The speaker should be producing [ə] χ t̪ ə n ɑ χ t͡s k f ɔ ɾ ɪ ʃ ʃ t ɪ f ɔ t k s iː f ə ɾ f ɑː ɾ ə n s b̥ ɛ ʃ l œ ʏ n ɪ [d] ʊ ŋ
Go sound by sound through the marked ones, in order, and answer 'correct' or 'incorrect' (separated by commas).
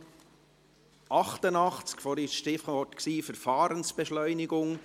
incorrect, incorrect